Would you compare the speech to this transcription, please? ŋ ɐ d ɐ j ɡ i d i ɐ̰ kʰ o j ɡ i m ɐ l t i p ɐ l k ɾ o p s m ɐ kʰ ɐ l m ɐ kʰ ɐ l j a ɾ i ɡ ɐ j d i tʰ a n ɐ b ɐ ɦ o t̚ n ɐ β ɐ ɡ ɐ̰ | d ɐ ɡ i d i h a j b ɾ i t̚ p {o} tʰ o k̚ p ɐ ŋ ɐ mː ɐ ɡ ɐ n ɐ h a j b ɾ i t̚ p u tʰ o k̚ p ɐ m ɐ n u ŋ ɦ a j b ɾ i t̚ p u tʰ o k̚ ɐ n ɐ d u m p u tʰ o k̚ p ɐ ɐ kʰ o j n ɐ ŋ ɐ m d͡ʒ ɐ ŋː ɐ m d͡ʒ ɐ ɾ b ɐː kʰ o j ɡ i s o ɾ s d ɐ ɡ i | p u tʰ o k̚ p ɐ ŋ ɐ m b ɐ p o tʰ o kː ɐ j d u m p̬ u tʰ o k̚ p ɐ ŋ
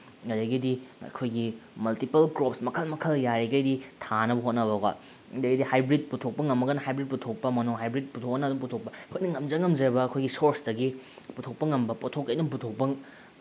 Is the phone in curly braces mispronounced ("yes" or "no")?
yes